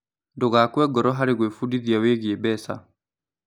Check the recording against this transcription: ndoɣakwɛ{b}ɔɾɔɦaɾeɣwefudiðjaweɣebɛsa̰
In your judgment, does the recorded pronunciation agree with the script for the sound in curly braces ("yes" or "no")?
no